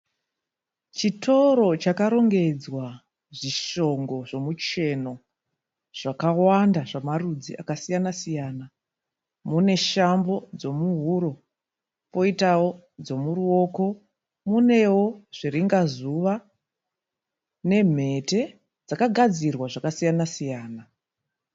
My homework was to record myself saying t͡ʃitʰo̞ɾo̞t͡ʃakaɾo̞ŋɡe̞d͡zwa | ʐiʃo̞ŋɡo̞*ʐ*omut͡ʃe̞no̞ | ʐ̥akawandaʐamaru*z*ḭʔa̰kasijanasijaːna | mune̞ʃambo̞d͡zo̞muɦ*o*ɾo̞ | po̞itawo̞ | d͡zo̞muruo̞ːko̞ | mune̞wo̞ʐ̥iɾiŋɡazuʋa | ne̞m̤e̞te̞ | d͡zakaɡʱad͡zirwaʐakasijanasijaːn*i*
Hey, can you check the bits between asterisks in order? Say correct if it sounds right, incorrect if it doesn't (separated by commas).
correct, incorrect, incorrect, incorrect